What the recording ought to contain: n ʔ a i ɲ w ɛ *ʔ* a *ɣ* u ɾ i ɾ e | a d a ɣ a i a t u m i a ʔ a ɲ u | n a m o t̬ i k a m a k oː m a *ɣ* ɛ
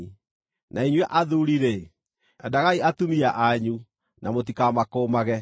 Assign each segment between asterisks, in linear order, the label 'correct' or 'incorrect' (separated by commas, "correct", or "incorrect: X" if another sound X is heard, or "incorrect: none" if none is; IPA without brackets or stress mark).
correct, incorrect: ð, correct